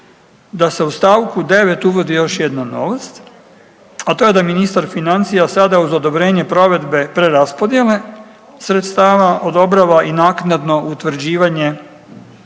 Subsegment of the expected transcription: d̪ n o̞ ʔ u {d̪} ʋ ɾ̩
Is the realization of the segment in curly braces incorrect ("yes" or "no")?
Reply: yes